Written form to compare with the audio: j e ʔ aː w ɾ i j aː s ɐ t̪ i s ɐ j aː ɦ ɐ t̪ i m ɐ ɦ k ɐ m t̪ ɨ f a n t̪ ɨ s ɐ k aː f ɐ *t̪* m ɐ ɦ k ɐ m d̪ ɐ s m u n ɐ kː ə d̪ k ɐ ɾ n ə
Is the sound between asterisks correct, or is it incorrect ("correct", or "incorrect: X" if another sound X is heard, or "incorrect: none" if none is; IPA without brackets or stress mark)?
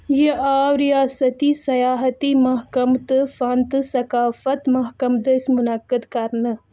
correct